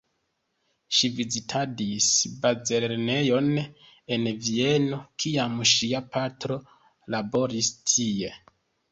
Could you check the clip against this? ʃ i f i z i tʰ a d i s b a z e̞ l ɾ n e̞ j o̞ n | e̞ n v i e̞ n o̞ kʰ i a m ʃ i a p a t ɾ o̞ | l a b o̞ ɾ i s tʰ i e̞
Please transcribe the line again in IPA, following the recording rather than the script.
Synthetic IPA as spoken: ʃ i v i z i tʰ a d i s b a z e̞ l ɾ n e̞ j o̞ n | e̞ n v i e̞ n o̞ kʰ i a m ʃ i a p a t ɾ o̞ | l a b o̞ ɾ i s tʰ i e̞